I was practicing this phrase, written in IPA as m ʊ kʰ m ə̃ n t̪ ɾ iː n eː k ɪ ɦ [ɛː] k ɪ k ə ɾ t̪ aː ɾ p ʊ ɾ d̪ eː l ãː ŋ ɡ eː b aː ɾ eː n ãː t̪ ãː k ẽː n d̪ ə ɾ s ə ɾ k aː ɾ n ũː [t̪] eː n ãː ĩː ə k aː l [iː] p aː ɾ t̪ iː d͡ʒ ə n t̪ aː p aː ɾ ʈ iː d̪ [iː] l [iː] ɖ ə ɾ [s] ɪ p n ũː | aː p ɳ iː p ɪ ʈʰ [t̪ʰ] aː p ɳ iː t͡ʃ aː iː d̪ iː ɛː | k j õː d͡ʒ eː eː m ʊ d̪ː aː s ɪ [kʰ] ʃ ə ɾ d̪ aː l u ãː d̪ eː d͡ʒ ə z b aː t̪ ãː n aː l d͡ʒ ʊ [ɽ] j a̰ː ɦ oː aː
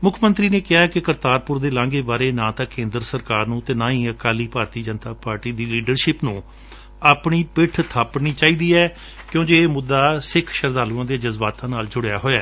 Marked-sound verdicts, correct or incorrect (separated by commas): incorrect, correct, correct, correct, correct, incorrect, correct, correct, correct